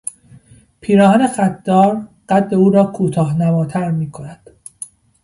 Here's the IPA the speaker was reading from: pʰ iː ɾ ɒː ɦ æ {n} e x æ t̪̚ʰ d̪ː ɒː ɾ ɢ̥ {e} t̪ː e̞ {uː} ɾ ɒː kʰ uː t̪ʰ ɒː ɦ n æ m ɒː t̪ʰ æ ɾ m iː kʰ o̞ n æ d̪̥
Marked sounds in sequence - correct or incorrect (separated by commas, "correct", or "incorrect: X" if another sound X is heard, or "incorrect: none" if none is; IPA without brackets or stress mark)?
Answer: correct, incorrect: æ, correct